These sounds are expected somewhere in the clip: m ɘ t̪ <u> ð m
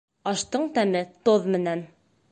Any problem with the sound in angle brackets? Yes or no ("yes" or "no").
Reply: yes